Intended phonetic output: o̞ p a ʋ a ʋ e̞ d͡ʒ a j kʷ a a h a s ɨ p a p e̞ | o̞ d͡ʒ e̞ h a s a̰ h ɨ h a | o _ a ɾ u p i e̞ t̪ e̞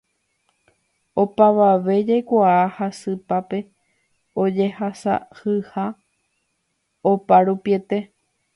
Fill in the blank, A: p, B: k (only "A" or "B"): A